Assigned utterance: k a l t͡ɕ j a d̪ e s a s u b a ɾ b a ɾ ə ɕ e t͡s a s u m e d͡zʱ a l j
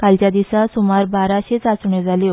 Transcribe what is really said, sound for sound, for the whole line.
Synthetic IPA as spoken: k a l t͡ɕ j a d̪ i s a s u m a ɾ b a ɾ a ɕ e t͡s a s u ɳ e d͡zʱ a l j